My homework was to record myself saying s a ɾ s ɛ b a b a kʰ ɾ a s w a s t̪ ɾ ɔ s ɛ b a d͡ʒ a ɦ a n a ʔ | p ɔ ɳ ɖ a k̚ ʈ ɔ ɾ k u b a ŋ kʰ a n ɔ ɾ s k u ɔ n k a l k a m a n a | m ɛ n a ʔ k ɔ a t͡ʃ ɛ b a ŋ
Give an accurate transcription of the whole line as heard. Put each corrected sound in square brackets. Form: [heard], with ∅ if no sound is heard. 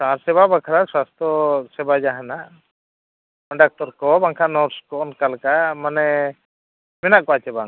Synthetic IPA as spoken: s a ɾ s ɛ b a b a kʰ ɾ a s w a s t̪ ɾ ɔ s ɛ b a d͡ʒ a ɦ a n a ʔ | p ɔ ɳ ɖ a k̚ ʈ ɔ ɾ k [ɔ] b a ŋ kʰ a n ɔ ɾ s k [ɔ] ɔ n k a l k a m a n [ɛ] | m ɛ n a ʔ k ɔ a t͡ʃ ɛ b a ŋ

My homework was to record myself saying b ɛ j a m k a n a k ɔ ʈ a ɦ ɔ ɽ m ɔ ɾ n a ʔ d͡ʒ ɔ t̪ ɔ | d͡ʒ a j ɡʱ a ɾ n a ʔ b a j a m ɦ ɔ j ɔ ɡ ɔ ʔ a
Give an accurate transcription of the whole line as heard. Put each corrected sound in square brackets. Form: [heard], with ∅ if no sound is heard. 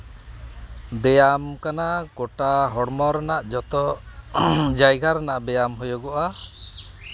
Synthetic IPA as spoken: b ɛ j a m k a n a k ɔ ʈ a ɦ ɔ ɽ m ɔ ɾ n a ʔ d͡ʒ ɔ t̪ ɔ | d͡ʒ a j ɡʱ a ɾ n a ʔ b [ɛ] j a m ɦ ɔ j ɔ ɡ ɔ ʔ a

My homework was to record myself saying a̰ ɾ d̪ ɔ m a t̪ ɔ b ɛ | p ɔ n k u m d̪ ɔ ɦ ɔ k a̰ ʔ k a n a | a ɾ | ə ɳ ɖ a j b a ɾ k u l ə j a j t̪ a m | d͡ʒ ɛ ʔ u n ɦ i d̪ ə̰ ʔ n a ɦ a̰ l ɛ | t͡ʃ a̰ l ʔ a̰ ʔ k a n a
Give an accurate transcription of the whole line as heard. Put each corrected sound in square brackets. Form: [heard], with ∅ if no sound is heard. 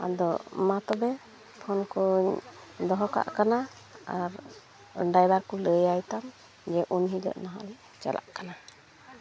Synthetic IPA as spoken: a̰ [∅] d̪ ɔ m a t̪ ɔ b ɛ | [pʰ] ɔ n k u [ɲ] d̪ ɔ ɦ ɔ k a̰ ʔ k a n a | a ɾ | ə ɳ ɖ a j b a ɾ k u l ə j a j t̪ a m | d͡ʒ ɛ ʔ u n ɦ i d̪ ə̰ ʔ n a ɦ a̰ l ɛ | t͡ʃ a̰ l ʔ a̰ ʔ k a n a

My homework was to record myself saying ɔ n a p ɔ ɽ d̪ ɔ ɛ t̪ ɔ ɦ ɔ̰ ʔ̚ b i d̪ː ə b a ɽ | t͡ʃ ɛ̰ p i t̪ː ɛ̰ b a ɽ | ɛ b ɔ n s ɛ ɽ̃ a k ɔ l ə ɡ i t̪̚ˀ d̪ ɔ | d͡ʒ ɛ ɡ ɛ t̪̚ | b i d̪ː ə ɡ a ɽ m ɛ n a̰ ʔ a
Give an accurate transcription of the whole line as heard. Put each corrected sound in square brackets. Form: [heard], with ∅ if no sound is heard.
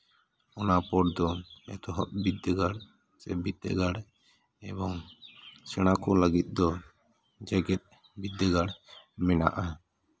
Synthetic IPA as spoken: ɔ n a p ɔ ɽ d̪ ɔ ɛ t̪ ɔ ɦ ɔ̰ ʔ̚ b i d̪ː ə [ɡ] a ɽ | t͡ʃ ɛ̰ [b] i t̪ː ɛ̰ [ɡ] a ɽ | ɛ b ɔ [ŋ] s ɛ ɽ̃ a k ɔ l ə ɡ i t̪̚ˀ d̪ ɔ | d͡ʒ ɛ ɡ ɛ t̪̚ | b i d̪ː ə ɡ a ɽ m ɛ n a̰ ʔ a

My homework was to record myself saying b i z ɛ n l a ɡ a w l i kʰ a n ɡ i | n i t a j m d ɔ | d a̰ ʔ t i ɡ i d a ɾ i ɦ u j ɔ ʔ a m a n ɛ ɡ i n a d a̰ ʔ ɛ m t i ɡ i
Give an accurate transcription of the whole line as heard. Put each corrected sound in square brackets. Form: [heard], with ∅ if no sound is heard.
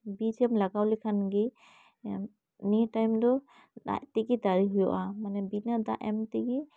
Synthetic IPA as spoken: b i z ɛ [m] l a ɡ a w l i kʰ a n ɡ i | n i t a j m d ɔ | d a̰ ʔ t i ɡ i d a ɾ i ɦ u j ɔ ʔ a m a n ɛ [b] i n a d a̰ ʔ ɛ m t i ɡ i

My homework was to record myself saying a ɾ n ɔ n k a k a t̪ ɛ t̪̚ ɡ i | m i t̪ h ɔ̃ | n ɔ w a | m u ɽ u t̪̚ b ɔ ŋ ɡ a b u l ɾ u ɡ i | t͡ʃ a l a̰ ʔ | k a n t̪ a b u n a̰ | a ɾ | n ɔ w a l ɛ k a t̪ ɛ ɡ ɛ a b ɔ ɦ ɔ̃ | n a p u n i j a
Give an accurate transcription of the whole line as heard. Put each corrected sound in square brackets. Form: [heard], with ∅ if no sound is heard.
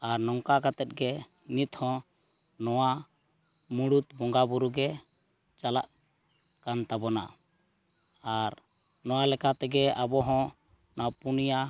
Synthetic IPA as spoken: a ɾ n ɔ [ŋ] k a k a t̪ ɛ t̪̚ ɡ [ɛ] | [n] i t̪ h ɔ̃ | n ɔ w a | m u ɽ u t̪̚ b ɔ ŋ ɡ a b u [∅] ɾ u ɡ [ɛ] | t͡ʃ a l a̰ ʔ | k a n t̪ a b [ɔ] n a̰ | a ɾ | n ɔ w a l ɛ k a t̪ ɛ ɡ ɛ a b ɔ ɦ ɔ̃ | n a p u n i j a

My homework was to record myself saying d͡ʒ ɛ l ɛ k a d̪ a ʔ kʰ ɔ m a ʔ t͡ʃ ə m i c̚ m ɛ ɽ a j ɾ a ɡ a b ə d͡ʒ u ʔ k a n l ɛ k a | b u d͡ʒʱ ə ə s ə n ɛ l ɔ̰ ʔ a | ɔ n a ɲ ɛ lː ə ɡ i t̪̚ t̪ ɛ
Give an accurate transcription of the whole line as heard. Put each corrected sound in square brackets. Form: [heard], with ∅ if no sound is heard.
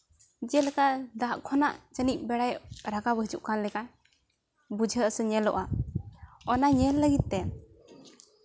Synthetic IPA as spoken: d͡ʒ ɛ l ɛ k a d̪ a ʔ kʰ ɔ [n] a ʔ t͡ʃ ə [n] i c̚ [b] ɛ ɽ a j ɾ a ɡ a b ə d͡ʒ u ʔ k a n l ɛ k a | b u d͡ʒʱ ə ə s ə [ɲ] ɛ l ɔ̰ ʔ a | ɔ n a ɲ ɛ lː ə ɡ i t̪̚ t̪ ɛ

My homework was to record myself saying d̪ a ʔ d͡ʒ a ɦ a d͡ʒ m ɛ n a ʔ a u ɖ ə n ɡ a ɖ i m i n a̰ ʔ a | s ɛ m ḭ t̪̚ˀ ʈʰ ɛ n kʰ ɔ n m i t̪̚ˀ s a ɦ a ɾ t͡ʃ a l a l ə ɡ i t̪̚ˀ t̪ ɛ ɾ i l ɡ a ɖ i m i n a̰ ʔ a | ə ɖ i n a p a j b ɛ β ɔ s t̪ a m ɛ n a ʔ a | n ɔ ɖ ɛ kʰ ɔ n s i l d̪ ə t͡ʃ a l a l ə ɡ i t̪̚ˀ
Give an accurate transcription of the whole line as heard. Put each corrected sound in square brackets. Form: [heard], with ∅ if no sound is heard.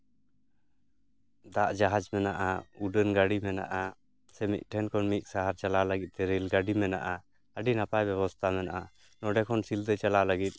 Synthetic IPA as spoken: d̪ a ʔ d͡ʒ a ɦ a d͡ʒ m ɛ n a ʔ a u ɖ ə n ɡ a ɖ i m [ɛ] n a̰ ʔ a | s ɛ m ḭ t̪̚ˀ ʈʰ ɛ n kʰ ɔ n m i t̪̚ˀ s a ɦ a ɾ t͡ʃ a l a l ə ɡ i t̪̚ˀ t̪ ɛ ɾ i l ɡ a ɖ i m [ɛ] n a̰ ʔ a | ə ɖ i n a p a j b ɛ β ɔ s [t̪ʰ] a m ɛ n a ʔ a | n ɔ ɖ ɛ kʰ ɔ n s i l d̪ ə t͡ʃ a l a l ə ɡ i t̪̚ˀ

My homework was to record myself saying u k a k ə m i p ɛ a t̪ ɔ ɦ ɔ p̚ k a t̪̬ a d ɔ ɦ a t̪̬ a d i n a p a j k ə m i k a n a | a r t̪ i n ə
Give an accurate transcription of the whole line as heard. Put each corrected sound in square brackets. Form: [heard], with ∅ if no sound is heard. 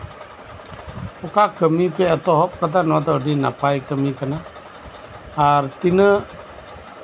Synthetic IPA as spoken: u k a k ə m i p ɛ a t̪ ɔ ɦ ɔ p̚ k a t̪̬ a [n] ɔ [∅] a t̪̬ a d i n a p a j k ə m i k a n a | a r t̪ i n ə

